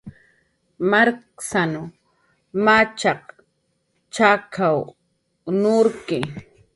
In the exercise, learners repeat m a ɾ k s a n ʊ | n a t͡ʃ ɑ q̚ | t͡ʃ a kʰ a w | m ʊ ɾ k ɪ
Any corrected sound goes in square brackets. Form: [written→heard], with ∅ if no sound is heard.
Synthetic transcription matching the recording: m a ɾ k s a n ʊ | [n→m] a t͡ʃ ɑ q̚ | t͡ʃ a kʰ a w | [m→n] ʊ ɾ k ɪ